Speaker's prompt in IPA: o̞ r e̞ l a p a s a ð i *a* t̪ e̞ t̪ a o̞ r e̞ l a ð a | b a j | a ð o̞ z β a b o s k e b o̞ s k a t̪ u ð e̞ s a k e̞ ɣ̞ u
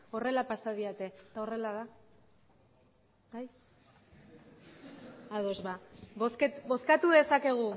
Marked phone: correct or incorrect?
correct